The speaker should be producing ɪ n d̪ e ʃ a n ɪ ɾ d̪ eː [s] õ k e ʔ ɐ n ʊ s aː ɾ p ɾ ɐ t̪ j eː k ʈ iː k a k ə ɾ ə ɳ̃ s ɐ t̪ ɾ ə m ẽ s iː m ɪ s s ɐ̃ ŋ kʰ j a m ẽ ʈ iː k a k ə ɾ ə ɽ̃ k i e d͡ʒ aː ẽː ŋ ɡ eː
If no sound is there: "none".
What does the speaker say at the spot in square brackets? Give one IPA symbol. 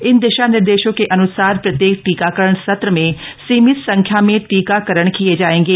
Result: ʃ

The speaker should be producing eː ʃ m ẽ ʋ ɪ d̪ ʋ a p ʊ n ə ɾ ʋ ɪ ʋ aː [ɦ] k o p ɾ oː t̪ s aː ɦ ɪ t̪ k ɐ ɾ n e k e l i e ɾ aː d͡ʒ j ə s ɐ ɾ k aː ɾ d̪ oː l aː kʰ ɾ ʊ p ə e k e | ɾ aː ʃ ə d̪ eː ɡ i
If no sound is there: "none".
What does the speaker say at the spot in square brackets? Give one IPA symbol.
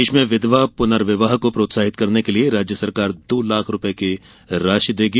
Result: ɦ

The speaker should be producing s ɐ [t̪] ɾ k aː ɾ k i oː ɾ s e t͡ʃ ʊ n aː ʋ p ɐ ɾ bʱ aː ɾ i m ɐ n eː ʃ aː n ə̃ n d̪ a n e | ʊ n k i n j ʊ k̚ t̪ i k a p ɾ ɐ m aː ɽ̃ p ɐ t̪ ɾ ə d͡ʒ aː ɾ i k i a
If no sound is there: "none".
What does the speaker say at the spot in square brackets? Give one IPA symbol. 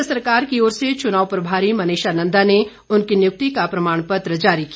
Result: none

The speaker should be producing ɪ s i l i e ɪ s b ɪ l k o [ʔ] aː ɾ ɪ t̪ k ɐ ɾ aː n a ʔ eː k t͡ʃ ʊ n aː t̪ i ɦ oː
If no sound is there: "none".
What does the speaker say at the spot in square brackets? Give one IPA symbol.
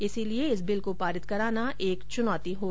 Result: p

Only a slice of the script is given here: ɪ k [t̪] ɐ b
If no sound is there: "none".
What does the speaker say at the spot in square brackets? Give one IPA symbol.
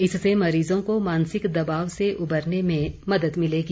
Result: d̪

